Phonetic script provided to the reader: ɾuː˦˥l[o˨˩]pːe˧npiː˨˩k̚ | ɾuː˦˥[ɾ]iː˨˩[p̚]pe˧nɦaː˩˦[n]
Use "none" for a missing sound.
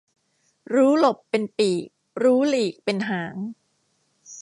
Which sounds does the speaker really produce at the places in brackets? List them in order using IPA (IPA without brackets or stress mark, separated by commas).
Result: o˨˩, l, k̚, ŋ